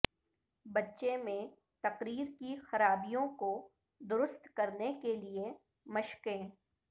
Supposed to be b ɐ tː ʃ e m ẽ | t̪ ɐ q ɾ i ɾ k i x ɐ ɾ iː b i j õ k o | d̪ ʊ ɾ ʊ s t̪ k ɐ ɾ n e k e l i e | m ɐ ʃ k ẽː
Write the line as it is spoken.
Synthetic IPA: b ɐ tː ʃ e m ẽ | t̪ ɐ q ɾ iː ɾ k i x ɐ ɾ aː b i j õ k o | d̪ ʊ ɾ ʊ s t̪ k ɐ ɾ n e k e l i e | m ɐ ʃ k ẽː